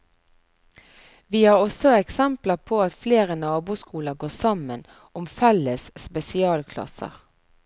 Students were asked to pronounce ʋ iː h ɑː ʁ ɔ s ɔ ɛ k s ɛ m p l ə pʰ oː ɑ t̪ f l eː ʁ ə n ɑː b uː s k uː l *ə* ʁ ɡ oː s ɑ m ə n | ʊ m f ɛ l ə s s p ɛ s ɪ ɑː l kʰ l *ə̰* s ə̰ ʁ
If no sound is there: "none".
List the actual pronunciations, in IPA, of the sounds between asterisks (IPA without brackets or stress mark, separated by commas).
ə, ɑ̰